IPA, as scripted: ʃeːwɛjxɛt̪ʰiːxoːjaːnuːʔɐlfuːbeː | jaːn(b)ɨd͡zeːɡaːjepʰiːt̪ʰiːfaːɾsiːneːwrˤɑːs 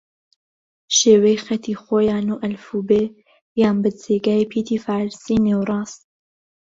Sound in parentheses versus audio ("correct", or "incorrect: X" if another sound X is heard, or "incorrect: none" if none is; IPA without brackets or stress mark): correct